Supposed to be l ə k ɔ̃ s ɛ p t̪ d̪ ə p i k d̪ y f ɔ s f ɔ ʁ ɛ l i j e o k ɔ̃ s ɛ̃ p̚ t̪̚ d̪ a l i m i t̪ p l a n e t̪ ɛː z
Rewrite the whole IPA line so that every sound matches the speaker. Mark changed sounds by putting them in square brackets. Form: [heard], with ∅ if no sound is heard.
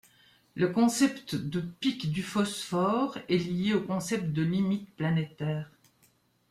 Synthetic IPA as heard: l ə k ɔ̃ s ɛ p t̪ d̪ ə p i k d̪ y f ɔ s f ɔ ʁ ɛ l i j e o k ɔ̃ s [ɛ] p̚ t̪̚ d̪ [ə] l i m i t̪ p l a n e t̪ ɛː [ʁ]